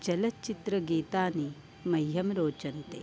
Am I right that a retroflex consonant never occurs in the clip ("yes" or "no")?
yes